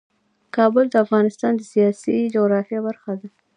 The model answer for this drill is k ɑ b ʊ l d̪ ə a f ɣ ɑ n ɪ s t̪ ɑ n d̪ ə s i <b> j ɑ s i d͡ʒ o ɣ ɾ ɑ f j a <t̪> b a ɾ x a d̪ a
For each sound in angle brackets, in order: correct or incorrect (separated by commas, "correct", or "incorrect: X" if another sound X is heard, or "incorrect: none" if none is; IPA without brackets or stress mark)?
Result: incorrect: none, incorrect: none